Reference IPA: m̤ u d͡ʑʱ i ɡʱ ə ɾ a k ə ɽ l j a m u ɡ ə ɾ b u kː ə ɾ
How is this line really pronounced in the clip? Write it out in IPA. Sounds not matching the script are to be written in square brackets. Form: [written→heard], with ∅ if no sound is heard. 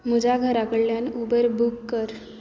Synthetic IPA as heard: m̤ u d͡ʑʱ [i→a] ɡʱ ə ɾ a k ə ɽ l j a [m→n] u [ɡ→b] ə ɾ b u kː ə ɾ

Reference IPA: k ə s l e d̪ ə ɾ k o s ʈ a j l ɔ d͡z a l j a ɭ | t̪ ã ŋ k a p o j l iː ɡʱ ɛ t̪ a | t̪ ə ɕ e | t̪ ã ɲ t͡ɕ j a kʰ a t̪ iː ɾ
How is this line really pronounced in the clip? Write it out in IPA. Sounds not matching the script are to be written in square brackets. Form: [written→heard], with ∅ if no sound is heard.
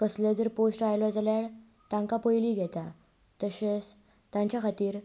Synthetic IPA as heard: k ə s l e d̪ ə ɾ [k→p] o s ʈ a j l ɔ d͡z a l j a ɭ | t̪ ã ŋ k a p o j l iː ɡʱ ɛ t̪ a | t̪ ə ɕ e | t̪ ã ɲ t͡ɕ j a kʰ a t̪ iː ɾ

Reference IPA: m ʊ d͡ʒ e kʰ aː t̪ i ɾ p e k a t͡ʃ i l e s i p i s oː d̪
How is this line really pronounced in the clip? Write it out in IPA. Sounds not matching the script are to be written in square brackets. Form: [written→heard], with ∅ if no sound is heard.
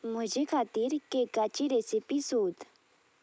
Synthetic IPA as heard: m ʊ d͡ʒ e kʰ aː t̪ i ɾ [p→k] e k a t͡ʃ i [l→ɾ] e s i p i s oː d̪

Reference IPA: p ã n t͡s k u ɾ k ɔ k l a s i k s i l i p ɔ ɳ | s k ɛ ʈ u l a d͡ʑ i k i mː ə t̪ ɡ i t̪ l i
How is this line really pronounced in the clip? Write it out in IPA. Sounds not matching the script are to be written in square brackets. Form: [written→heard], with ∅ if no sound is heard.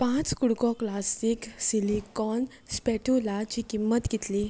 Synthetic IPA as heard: p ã [n→∅] t͡s k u [ɾ→ɽ] k ɔ k l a s i k s i l i [p→k] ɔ [ɳ→n] | s [k→p] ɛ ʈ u l a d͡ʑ i k i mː ə t̪ ɡ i t̪ l i

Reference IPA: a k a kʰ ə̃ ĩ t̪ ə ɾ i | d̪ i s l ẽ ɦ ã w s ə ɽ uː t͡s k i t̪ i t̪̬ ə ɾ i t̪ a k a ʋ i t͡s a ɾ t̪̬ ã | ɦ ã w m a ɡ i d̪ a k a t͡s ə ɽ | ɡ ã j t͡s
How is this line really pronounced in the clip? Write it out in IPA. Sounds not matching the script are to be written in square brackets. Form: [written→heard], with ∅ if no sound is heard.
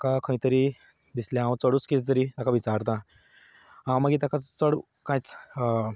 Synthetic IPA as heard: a k a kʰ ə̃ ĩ t̪ ə ɾ i | d̪ i s l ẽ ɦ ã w [s→t͡s] ə ɽ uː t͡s k i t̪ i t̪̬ ə ɾ i t̪ a k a ʋ i t͡s a ɾ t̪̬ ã | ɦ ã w m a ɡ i [d̪→t̪] a k a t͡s ə ɽ | [ɡ→k] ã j t͡s

